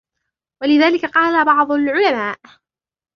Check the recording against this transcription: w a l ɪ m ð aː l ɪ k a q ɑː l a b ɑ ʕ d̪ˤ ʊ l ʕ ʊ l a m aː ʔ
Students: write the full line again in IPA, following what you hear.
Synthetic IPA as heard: w a l ɪ ð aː l ɪ k a q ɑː l a b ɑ ʕ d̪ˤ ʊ l ʕ ʊ l a m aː ʔ